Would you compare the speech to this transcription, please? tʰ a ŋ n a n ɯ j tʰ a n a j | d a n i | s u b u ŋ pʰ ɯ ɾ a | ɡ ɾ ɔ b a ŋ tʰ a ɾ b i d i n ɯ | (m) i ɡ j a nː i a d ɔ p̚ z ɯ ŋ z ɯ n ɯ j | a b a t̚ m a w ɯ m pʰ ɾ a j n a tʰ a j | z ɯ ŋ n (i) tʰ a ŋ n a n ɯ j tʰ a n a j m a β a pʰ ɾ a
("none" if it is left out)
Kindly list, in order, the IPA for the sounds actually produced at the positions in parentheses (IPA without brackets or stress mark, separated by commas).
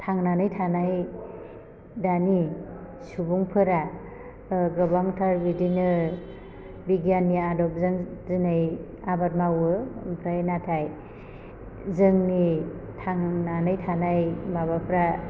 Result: b, i